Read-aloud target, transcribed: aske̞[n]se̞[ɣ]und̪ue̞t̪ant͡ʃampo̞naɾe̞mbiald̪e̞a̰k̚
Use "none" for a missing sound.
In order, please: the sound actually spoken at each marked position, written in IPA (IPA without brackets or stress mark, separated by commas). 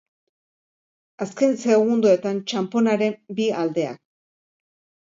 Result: n, ɣ